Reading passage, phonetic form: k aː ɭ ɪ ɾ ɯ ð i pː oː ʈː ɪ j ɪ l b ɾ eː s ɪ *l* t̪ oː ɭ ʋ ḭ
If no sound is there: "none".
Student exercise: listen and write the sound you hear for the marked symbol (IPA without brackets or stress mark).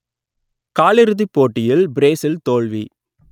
l